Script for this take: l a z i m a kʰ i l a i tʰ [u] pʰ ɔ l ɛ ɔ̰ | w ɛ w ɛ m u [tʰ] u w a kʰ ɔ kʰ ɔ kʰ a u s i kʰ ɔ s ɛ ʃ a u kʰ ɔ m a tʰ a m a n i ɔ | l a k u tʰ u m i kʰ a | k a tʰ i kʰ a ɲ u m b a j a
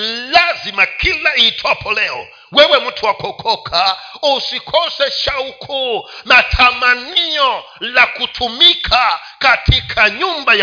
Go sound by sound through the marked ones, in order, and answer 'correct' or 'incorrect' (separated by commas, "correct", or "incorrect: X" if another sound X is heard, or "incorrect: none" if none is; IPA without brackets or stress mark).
incorrect: ɔ, correct